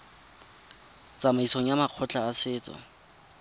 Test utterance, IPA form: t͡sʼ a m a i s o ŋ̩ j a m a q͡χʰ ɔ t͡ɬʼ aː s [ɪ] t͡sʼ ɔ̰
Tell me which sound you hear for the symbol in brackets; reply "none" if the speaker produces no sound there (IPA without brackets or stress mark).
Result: ɪː